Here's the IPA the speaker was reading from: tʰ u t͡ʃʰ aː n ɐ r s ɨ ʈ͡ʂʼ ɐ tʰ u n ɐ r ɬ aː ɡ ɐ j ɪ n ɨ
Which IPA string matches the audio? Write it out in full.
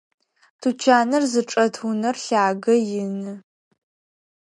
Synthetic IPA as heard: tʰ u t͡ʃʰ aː n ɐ r z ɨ ʈ͡ʂʼ ɐ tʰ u n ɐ r ɬ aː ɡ ɐ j ɪ n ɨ

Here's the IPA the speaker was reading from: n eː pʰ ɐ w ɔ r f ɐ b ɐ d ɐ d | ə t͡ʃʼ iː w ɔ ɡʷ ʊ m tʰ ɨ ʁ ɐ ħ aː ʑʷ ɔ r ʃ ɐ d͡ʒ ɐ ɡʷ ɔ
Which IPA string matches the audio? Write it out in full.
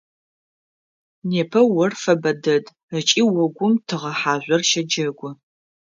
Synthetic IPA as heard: n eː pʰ ɐ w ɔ r f ɐ b ɐ d ɐ d | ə t͡ʃʼ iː w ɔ ɡʷ ʊ m tʰ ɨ ʁ ɐ ħ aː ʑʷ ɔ r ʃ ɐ d͡ʒ ɐ ɡʷ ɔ

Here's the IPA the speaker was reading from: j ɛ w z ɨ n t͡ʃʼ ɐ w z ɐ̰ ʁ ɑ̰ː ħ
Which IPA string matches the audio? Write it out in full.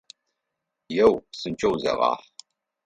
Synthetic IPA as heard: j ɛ w s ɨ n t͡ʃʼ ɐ w z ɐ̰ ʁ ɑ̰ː ħ

